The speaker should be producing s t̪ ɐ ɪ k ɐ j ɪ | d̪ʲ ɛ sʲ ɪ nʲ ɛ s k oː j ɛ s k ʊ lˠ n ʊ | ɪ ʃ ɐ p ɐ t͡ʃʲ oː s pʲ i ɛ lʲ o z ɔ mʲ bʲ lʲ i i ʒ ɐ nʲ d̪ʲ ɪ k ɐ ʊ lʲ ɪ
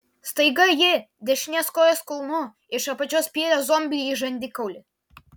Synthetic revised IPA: s t̪ ɐ ɪ ɡ ɐ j ɪ | d̪ʲ ɛ ʃʲ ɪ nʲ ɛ s k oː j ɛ s k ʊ lˠ n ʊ | ɪ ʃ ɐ p ɐ t͡ʃʲ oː s pʲ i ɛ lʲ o z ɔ mʲ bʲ lʲ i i ʒ ɐ nʲ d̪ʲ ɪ k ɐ ʊ lʲ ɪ